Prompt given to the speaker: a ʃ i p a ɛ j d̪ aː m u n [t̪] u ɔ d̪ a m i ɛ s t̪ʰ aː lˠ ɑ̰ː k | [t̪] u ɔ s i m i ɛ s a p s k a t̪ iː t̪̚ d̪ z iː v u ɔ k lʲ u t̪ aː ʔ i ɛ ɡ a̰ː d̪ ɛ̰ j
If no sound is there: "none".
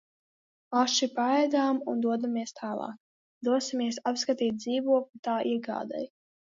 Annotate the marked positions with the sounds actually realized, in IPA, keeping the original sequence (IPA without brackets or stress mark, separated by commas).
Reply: d̪, d̪